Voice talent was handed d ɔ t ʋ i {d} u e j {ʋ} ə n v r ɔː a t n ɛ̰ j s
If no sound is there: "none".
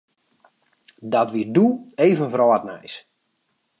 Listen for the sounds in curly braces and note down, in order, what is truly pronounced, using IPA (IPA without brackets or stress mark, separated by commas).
d, v